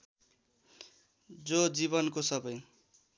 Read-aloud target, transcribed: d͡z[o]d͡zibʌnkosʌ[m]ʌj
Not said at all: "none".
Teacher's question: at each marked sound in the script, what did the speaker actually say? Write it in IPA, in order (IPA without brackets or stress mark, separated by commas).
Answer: o, b